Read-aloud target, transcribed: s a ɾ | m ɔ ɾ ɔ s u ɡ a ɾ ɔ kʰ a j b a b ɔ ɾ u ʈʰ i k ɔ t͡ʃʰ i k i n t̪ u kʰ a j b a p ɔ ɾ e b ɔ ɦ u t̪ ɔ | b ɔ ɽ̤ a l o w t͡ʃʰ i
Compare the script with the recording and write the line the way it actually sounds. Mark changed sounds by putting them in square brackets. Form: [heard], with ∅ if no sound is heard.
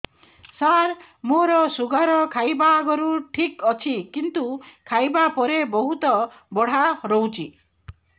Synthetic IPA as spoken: s a ɾ | m [o] ɾ ɔ s u ɡ a ɾ ɔ kʰ a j b a [ɡ] ɔ ɾ u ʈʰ i k ɔ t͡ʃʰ i k i n t̪ u kʰ a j b a p ɔ ɾ e b ɔ ɦ u t̪ ɔ | b ɔ ɽ̤ a [ɾ] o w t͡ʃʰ i

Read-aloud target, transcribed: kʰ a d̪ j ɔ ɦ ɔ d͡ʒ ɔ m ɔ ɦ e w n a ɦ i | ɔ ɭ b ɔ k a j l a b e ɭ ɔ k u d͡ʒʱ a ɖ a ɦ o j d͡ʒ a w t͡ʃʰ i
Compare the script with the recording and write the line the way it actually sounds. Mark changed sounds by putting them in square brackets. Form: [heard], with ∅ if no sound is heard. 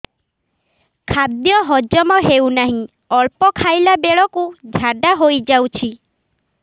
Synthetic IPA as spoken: kʰ a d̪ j ɔ ɦ ɔ d͡ʒ ɔ m ɔ ɦ e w n a ɦ [ĩ] | ɔ ɭ [p] ɔ [kʰ] a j l a b e ɭ ɔ k u d͡ʒʱ a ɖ a ɦ o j d͡ʒ a w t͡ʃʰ i

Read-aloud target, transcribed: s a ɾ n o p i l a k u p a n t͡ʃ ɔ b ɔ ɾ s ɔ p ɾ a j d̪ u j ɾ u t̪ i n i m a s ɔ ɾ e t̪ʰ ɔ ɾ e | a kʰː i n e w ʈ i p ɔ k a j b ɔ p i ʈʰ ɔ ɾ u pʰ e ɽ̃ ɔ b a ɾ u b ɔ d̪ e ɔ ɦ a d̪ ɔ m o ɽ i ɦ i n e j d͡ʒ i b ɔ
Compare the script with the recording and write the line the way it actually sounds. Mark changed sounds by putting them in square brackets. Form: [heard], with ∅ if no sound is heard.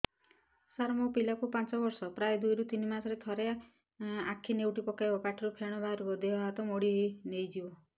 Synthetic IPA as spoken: s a ɾ [m] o p i l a k u p a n t͡ʃ ɔ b ɔ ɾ s ɔ p ɾ a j d̪ u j ɾ u t̪ i n i m a s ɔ ɾ e t̪ʰ ɔ ɾ e | a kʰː i n e w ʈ i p ɔ k a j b ɔ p [a] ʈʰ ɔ ɾ u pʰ e ɽ̃ ɔ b a ɾ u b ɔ d̪ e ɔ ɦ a [t̪] ɔ m o ɽ i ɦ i n e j d͡ʒ i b ɔ

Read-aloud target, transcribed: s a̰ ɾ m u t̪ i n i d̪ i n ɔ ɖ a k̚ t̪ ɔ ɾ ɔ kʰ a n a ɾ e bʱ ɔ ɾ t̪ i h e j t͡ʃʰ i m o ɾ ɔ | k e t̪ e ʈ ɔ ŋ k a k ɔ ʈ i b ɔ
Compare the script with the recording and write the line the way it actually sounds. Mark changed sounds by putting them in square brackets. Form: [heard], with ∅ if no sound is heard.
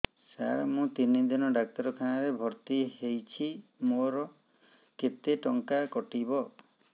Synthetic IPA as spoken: s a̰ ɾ m [ũ] t̪ i n i d̪ i n ɔ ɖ a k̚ t̪ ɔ ɾ ɔ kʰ a n a ɾ e bʱ ɔ ɾ t̪ i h e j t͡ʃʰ i m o ɾ ɔ | k e t̪ e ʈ ɔ ŋ k a k ɔ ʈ i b ɔ

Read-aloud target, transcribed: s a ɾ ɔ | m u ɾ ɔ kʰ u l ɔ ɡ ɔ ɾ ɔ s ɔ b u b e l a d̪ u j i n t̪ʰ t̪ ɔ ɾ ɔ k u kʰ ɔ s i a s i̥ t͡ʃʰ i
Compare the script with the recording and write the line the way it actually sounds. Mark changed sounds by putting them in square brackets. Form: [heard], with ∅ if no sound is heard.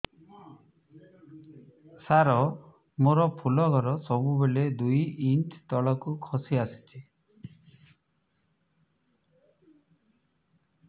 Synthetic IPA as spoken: s a ɾ ɔ | m [o] ɾ ɔ [pʰ] u l ɔ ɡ ɔ ɾ ɔ s ɔ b u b e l [e] d̪ u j i n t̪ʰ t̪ ɔ [ɭ] ɔ k u kʰ ɔ s i a s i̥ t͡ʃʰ i

